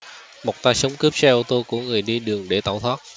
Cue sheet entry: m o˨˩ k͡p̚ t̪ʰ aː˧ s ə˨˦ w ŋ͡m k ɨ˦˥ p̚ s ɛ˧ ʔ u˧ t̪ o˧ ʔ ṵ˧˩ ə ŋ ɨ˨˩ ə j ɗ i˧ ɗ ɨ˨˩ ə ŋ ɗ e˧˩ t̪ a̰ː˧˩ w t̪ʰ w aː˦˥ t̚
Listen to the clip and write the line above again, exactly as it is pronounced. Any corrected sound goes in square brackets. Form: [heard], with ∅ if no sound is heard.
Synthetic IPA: m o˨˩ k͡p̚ [t̪] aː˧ s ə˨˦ w ŋ͡m k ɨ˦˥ p̚ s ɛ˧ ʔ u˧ t̪ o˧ [k] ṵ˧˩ ə ŋ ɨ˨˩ ə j ɗ i˧ ɗ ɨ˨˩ ə ŋ ɗ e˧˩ t̪ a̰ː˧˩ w t̪ʰ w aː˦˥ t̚